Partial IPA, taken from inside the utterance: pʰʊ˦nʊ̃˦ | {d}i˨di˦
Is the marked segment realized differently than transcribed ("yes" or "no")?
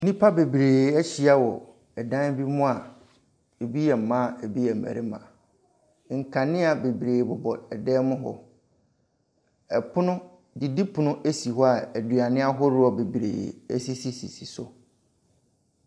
no